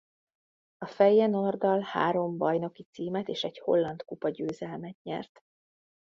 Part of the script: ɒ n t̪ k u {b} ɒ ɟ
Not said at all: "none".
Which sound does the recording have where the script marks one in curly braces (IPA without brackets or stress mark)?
p